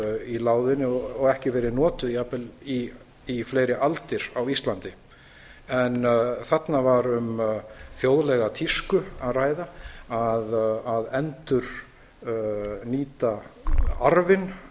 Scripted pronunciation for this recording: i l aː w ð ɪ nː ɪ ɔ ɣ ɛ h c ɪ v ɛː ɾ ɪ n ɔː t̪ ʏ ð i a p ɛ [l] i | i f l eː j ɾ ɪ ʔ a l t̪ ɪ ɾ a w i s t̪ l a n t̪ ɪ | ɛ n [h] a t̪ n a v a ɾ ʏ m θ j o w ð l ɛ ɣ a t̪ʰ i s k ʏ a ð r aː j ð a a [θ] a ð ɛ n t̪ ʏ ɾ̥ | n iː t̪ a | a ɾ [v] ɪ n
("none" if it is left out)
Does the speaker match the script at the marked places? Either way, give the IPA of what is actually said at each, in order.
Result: l, θ, ð, v

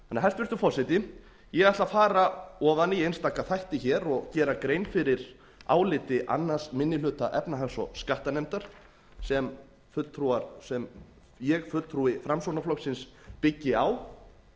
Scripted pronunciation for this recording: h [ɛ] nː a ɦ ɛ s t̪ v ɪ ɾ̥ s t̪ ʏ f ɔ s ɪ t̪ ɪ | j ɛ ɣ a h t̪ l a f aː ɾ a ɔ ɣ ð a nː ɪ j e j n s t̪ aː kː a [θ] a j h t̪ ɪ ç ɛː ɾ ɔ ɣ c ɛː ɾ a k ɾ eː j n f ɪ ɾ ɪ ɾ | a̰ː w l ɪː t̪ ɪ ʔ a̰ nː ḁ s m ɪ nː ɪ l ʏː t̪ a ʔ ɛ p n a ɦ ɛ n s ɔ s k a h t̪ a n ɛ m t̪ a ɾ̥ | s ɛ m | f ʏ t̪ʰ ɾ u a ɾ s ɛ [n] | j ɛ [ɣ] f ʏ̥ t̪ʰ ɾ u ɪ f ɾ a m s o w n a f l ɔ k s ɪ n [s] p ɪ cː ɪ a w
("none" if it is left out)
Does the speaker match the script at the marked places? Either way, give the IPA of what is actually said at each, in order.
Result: a, θ, m, ɣ, s

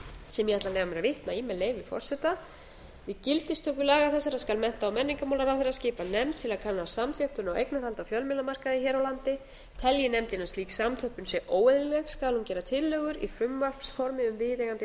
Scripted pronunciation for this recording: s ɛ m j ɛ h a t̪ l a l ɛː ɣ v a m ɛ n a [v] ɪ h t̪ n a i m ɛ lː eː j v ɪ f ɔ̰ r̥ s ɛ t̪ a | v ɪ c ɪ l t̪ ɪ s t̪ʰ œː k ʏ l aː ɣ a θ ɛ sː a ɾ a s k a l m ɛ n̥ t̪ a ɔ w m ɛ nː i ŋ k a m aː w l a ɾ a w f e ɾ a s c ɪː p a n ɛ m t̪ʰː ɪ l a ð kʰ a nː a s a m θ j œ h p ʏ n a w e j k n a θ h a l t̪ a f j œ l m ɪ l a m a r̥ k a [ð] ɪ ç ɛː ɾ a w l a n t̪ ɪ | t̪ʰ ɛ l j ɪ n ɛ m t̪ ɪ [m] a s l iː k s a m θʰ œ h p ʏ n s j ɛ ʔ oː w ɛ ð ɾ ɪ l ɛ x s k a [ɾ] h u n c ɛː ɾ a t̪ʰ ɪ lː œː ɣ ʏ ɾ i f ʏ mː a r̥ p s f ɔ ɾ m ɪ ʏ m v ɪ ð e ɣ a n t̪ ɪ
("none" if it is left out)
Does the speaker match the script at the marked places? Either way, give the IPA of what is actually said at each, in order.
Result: v, ð, n, l

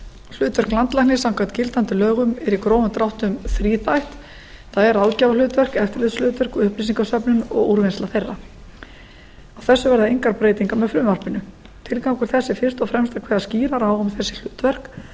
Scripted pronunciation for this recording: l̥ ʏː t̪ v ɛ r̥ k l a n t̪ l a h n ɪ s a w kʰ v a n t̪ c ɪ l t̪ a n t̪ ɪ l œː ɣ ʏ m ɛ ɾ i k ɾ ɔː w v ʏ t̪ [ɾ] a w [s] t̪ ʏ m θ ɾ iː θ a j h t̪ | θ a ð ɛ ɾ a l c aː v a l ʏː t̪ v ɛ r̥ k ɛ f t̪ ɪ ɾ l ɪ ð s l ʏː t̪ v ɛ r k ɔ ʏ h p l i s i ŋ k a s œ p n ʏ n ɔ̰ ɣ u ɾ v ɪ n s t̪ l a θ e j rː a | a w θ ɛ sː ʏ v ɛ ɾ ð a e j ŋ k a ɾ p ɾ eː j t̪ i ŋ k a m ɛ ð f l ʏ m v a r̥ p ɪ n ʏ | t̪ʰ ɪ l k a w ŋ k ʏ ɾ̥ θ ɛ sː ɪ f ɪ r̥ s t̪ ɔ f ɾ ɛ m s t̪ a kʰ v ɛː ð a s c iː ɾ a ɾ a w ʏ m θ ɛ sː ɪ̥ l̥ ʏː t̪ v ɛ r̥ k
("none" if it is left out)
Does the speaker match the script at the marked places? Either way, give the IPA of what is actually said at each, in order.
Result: ɾ, h

